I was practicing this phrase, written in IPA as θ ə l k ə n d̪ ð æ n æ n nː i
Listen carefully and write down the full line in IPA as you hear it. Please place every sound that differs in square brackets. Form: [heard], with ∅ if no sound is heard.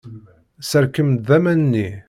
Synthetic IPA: [s] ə [ɾ] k ə [m] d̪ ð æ [m] æ n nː i